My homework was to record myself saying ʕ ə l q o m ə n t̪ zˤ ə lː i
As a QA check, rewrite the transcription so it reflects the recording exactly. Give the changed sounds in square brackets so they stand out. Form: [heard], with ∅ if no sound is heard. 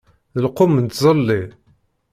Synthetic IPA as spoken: [ð] ə l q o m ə n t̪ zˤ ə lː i